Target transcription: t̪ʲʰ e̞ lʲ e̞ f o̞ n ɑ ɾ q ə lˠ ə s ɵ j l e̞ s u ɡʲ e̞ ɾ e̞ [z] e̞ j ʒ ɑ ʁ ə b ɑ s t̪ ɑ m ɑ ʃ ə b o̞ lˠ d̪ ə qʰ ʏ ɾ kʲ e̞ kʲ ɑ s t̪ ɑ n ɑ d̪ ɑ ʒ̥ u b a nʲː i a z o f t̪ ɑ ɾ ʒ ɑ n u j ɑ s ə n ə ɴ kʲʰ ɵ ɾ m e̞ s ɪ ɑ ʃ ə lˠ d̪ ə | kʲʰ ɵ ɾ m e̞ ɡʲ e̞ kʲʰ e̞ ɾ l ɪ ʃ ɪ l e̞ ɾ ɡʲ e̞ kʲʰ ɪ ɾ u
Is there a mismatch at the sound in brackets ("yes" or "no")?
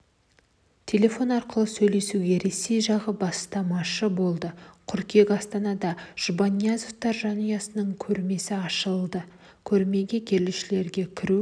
yes